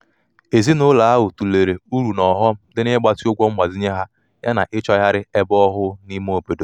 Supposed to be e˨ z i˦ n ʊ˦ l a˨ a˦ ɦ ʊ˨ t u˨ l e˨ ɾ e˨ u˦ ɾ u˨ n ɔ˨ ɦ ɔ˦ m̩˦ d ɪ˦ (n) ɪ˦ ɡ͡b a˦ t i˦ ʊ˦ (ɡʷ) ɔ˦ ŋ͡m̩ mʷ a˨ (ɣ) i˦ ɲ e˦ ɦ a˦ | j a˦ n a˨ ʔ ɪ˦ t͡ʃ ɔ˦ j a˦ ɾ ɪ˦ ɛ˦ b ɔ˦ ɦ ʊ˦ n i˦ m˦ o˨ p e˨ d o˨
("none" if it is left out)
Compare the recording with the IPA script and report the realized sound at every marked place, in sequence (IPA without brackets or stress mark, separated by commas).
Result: n, ɡʷ, z